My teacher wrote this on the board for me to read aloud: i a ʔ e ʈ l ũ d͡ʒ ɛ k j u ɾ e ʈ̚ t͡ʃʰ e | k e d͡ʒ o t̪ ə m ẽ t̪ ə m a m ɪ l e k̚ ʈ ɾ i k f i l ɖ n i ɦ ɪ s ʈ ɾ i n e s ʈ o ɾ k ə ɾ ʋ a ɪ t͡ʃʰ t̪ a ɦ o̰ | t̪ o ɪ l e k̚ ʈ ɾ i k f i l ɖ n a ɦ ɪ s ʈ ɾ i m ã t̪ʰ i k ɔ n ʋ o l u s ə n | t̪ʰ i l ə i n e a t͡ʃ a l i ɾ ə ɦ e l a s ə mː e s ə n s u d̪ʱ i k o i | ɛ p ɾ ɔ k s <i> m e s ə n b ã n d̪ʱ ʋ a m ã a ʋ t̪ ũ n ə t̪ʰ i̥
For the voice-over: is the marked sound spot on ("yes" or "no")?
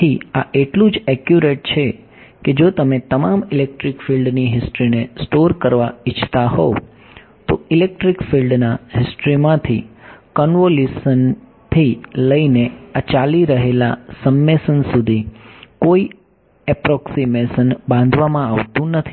yes